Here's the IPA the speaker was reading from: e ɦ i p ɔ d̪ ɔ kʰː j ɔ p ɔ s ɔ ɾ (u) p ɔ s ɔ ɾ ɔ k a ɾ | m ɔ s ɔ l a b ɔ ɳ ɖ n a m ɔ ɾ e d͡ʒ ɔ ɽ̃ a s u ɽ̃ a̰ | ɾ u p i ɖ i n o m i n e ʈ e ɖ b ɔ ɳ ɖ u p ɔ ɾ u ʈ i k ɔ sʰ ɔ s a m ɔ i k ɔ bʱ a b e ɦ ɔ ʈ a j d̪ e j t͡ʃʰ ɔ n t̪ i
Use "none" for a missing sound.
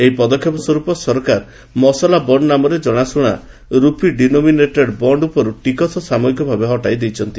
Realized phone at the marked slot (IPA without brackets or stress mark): u